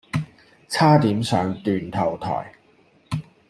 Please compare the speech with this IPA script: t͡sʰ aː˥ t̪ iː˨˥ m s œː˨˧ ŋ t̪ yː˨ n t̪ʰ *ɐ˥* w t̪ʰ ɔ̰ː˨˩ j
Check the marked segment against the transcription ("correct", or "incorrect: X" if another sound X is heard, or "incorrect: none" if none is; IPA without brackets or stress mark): incorrect: ɐ˨˩